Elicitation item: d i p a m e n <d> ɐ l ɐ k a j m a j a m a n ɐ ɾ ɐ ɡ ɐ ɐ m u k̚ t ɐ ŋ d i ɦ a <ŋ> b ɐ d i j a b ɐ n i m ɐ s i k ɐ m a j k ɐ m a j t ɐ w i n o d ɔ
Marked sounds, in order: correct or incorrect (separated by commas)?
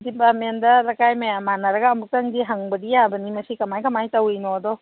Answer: correct, correct